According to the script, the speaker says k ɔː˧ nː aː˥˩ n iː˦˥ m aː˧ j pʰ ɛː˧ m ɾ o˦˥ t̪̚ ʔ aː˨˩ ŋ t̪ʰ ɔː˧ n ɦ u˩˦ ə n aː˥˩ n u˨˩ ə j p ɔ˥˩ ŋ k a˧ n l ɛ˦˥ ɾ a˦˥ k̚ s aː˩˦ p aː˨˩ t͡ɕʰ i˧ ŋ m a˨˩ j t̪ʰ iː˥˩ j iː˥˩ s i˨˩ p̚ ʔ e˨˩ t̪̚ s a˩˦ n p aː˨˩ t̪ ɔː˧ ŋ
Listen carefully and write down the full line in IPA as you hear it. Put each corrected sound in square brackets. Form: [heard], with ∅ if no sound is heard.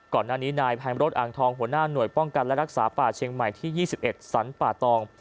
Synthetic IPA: k [ɔː˨˩] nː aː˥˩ n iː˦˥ [n] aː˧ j pʰ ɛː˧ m ɾ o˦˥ t̪̚ ʔ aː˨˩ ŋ t̪ʰ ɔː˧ [ŋ] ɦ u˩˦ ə n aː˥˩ n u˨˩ ə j p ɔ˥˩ ŋ k a˧ n l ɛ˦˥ ɾ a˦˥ k̚ s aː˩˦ p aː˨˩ t͡ɕʰ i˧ ŋ m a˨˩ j t̪ʰ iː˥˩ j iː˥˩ s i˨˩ p̚ ʔ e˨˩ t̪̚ s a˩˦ n p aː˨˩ t̪ ɔː˧ ŋ